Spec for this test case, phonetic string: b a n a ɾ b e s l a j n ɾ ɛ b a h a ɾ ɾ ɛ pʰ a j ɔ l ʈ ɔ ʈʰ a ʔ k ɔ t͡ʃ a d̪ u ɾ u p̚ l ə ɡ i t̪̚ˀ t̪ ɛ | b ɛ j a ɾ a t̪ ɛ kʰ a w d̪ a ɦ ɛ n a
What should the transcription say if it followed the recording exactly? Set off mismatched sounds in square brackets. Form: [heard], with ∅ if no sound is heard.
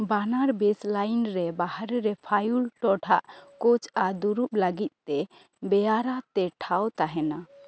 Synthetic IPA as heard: b a n a ɾ b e s l a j n ɾ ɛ b a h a ɾ ɾ ɛ pʰ a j [u] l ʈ ɔ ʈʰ a ʔ k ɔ t͡ʃ a d̪ u ɾ u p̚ l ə ɡ i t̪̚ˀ t̪ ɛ | b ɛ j a ɾ a t̪ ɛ [ʈʰ] a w [t̪] a ɦ ɛ n a